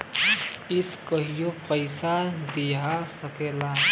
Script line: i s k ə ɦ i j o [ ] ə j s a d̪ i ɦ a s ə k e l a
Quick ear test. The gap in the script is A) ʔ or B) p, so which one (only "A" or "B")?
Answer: B